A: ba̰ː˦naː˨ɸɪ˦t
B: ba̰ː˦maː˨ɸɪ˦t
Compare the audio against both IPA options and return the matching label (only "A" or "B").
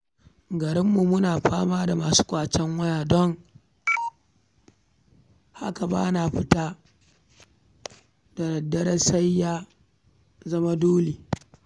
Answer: A